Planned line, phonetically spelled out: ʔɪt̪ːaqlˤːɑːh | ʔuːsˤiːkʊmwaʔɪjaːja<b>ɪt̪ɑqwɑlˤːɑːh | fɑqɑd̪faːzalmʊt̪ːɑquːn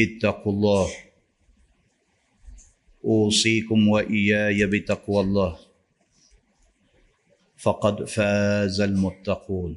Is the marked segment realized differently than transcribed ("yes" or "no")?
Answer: no